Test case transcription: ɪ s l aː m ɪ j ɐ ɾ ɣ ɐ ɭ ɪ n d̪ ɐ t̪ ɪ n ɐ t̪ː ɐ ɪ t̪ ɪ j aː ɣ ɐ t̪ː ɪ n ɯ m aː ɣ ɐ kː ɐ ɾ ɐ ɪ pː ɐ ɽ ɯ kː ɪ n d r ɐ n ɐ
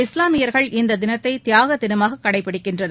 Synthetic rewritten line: ɪ s l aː m ɪ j ɐ ɾ ɣ ɐ ɭ ɪ n d̪ ɐ d̪ ɪ n ɐ t̪ː ɐ ɪ t̪ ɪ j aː ɣ ɐ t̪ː ɪ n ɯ m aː ɣ ɐ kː ɐ ɽ ɐ ɪ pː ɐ ɽ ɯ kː ɪ n d r ɐ n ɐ